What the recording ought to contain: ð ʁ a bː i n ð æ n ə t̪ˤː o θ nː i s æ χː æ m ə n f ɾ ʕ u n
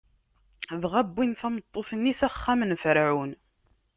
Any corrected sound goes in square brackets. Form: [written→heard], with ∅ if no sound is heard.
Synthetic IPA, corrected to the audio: ð ʁ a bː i n [ð→θ] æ [n→m] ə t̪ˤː o θ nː i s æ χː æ m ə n f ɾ ʕ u n